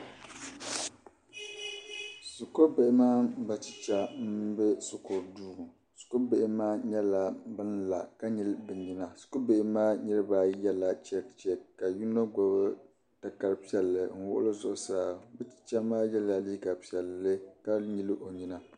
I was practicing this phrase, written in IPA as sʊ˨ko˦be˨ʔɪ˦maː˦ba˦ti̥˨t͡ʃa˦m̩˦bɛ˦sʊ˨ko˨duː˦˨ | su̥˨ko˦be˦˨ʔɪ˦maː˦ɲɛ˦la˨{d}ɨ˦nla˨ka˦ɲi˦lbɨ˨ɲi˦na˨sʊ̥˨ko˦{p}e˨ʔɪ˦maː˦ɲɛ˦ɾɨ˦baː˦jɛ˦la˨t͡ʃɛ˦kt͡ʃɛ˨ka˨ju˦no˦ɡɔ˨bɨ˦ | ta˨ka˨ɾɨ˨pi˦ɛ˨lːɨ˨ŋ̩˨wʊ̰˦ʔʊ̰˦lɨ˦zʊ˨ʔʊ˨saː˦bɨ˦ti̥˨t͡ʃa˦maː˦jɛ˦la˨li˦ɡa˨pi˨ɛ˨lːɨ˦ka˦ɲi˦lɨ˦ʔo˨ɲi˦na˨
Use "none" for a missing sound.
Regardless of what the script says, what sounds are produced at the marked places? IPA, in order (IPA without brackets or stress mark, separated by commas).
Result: b, b